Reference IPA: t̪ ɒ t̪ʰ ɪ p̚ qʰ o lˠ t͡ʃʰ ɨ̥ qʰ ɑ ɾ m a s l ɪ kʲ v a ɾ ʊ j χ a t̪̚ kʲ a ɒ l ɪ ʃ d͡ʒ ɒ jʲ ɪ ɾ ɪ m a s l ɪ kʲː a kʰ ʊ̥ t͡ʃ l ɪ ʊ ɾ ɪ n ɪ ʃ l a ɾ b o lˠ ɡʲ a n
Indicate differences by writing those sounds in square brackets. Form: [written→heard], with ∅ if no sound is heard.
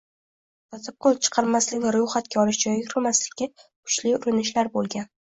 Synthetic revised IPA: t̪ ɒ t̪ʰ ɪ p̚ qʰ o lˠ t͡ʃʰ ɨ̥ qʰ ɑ ɾ m a s l ɪ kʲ v a ɾ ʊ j χ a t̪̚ kʲ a ɒ l ɪ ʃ d͡ʒ ɒ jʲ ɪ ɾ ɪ m a s l ɪ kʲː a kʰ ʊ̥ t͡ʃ l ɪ ʊ ɾ ɪ n ɪ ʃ l a ɾ b o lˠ ɡʲ a n

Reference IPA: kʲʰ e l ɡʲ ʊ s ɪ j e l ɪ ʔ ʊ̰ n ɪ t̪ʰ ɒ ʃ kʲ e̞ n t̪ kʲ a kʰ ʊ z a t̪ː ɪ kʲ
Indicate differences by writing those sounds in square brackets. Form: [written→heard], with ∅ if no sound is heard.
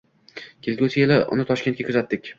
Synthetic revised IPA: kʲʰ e l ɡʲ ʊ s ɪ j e l ɪ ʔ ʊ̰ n ɪ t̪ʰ ɒ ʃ kʲ e̞ n t̪ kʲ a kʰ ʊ z a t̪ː ɪ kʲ

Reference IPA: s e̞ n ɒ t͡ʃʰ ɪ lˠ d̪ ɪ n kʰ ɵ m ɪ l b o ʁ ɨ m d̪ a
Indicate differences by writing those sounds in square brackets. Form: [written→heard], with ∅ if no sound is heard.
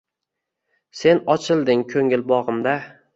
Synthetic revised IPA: s e̞ n ɒ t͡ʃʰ ɪ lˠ d̪ ɪ [n→ŋ] kʰ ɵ [m→ŋ] ɪ l b [o→ɒ] ʁ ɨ m d̪ a

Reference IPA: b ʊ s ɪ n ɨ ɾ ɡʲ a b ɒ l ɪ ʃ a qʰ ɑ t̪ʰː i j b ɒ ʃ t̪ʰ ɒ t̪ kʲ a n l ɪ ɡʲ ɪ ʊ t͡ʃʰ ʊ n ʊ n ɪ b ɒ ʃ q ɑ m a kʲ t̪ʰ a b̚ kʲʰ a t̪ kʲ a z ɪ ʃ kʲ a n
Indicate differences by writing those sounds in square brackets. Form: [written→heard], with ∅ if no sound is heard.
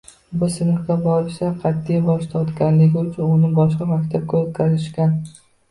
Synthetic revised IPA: b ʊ s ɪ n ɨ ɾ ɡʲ a b ɒ [l→ɾ] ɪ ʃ a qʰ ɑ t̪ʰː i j b ɒ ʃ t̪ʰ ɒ t̪ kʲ a n l ɪ ɡʲ ɪ ʊ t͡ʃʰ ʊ n ʊ n ɪ b ɒ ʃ q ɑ m a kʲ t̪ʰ a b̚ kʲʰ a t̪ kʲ a z ɪ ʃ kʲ a n

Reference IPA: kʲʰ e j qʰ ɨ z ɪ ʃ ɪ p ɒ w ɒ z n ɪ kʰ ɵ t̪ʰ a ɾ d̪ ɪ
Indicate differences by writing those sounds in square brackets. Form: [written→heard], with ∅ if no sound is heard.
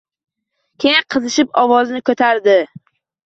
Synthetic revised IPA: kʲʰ e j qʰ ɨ z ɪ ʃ ɪ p ɒ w ɒ z n ɪ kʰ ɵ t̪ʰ a ɾ d̪ ɪ

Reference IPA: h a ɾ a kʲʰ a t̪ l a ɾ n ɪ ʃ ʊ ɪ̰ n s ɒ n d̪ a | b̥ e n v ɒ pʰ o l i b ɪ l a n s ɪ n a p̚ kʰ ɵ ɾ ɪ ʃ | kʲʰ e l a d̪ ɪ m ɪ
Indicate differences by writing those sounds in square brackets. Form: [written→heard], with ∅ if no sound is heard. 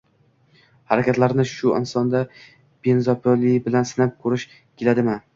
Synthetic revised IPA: h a ɾ a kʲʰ a t̪ l a ɾ n ɪ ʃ ʊ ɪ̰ n s ɒ n d̪ a | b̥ e n [v→z] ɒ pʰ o l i b ɪ l a n s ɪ n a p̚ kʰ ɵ ɾ ɪ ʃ | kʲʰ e l a d̪ ɪ m ɪ

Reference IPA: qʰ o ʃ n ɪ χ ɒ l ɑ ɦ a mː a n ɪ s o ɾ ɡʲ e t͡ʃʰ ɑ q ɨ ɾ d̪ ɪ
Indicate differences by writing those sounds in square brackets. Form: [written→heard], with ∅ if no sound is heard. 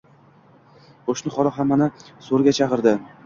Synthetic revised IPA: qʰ o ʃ n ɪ χ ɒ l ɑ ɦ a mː a n ɪ s o ɾ ɡʲ [e→a] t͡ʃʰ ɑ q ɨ ɾ d̪ ɪ

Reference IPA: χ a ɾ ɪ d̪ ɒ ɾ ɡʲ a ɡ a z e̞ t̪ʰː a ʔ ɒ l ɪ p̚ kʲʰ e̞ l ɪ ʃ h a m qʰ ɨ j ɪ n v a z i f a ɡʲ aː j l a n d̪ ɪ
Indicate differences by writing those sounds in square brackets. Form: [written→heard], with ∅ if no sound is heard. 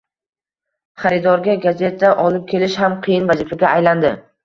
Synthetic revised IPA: χ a ɾ ɪ d̪ ɒ ɾ ɡʲ a ɡ a z e̞ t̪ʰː a ʔ ɒ l ɪ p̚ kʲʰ e̞ l ɪ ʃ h a m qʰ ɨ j ɪ n v a z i f a ɡʲ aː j l a n d̪ ɪ

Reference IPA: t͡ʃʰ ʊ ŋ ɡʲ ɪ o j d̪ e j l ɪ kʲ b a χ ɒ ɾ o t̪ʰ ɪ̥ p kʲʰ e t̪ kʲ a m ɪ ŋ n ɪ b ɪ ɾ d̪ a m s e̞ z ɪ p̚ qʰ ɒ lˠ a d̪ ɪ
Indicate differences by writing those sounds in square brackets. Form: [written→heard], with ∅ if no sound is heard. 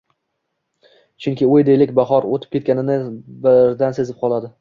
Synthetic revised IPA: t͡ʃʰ ʊ ŋ [ɡʲ→kʲ] ɪ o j d̪ e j l ɪ kʲ b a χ ɒ ɾ o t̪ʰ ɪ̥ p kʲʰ e t̪ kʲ a [m→n] ɪ [ŋ→∅] n ɪ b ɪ ɾ d̪ a [m→n] s e̞ z ɪ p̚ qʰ ɒ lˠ a d̪ ɪ

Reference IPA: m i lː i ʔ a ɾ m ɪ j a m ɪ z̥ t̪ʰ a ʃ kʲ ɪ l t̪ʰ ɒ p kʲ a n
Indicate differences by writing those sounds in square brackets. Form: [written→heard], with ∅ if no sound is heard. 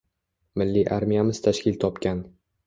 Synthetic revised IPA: m [i→ɪ] lː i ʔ a ɾ m [ɪ→i] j a m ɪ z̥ t̪ʰ a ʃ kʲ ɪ l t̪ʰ ɒ p kʲ a n

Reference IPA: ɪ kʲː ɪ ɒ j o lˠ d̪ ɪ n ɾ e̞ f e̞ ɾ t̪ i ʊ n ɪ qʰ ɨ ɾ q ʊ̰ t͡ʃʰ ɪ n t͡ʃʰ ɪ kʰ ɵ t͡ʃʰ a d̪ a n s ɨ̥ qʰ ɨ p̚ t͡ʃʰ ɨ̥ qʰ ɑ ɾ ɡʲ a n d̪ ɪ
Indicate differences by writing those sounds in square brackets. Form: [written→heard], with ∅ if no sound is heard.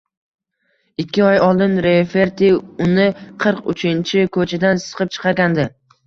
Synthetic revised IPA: ɪ kʲː ɪ ɒ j [o→ɒ] lˠ d̪ ɪ n ɾ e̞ f e̞ ɾ t̪ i ʊ n ɪ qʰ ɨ ɾ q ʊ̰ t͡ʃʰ ɪ n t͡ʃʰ ɪ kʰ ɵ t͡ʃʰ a d̪ a n s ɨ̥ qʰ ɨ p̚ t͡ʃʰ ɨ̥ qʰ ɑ ɾ ɡʲ a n d̪ ɪ

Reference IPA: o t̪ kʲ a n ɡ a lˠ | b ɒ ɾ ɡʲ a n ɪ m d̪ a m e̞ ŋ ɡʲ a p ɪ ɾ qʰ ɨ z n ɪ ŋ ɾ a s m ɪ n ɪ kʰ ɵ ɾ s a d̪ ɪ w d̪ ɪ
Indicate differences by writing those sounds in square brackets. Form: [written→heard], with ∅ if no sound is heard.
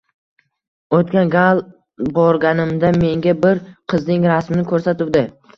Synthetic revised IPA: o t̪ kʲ a n ɡ a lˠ | b ɒ ɾ ɡʲ a n ɪ m d̪ a m e̞ ŋ ɡʲ a [p→b] ɪ ɾ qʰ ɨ z n ɪ ŋ ɾ a s m ɪ n ɪ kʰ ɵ ɾ s a [d̪→t̪] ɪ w d̪ ɪ

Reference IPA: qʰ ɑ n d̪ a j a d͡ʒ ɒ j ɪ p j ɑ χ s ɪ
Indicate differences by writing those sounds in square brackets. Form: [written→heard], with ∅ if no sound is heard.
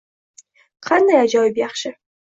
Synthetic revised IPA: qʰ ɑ n d̪ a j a d͡ʒ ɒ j ɪ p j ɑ χ [s→ʃ] ɪ

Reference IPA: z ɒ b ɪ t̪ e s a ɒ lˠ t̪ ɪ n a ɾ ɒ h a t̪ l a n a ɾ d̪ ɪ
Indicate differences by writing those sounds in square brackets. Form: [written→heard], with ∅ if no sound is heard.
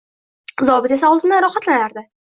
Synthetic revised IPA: z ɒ b ɪ t̪ e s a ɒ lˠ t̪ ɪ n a ɾ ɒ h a t̪ l a n a ɾ d̪ ɪ

